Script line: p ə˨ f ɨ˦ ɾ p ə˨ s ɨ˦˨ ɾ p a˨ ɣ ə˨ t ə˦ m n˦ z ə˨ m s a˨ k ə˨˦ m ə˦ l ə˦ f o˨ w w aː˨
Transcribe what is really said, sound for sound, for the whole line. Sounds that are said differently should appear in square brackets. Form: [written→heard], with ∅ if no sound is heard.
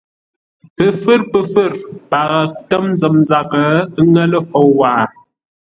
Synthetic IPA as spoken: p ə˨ f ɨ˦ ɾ p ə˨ [s→f] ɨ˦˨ ɾ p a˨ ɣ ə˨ t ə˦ m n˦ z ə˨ m [s→z] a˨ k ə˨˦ [m→ŋ] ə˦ l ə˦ f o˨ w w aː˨